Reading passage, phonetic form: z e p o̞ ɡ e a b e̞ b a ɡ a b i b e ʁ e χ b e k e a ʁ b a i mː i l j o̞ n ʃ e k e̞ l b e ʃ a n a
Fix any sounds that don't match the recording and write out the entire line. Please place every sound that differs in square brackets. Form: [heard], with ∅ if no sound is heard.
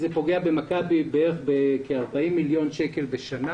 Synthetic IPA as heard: z e p o̞ ɡ e a b e̞ [m] a [k] a b i b e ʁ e χ b e k e a ʁ b a i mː i l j o̞ n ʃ e k e̞ l b e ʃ a n a